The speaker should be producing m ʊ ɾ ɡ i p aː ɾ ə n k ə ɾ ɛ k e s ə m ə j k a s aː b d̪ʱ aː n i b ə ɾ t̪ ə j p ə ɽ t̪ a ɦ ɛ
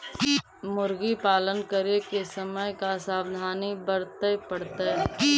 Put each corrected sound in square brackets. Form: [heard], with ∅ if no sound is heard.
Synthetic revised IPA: m ʊ ɾ ɡ i p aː [l] ə n k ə ɾ [e] k e s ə m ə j k a s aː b d̪ʱ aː n i b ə ɾ t̪ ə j p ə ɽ t̪ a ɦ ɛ